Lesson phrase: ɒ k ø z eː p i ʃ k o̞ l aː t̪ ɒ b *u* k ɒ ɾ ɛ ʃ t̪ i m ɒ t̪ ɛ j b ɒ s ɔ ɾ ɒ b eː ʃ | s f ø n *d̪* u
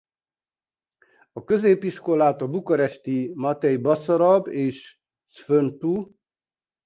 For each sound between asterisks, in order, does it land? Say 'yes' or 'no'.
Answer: yes, no

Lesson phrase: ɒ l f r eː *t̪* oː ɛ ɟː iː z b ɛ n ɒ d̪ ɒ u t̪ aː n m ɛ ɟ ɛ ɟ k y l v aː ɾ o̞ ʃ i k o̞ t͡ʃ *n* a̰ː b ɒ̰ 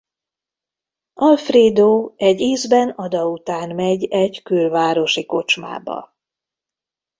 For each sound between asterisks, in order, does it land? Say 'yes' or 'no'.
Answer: no, no

